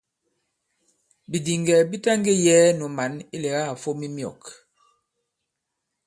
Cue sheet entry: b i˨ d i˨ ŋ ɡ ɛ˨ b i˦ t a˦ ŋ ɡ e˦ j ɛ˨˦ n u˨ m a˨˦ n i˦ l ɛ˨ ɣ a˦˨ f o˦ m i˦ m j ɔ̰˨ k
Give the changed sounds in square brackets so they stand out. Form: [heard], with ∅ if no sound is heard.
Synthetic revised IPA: b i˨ d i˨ ŋ ɡ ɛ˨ b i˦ t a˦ ŋ ɡ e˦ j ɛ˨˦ n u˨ m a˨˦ n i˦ l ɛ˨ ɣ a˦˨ f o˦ m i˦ m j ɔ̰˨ k